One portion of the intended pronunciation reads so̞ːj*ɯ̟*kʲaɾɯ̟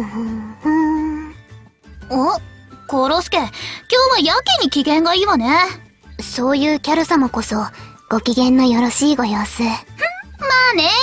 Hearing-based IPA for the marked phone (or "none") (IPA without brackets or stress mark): ɯ̟ː